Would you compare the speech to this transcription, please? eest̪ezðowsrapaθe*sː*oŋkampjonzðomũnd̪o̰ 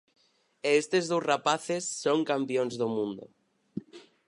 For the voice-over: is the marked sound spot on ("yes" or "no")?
yes